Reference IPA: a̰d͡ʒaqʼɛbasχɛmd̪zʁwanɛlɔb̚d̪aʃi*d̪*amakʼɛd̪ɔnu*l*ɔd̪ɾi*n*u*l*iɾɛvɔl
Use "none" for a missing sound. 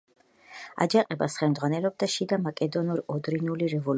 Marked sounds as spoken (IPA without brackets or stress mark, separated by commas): d̪, ɾ, n, l